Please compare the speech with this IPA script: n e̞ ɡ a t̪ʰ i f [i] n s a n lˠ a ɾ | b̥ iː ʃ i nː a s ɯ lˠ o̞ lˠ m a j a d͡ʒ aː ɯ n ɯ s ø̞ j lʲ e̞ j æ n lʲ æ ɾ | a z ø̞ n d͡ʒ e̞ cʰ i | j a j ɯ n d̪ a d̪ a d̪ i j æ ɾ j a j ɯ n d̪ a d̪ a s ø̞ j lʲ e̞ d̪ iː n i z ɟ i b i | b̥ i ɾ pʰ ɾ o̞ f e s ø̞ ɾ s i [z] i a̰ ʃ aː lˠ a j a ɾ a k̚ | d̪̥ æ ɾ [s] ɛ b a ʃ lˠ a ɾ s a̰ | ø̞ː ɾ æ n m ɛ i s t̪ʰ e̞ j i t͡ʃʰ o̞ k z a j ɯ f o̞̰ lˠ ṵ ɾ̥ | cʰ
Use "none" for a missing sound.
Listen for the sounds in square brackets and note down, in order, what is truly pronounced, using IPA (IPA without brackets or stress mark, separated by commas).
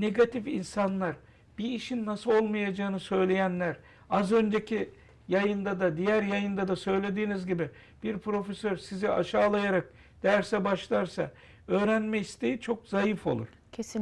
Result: i, z, s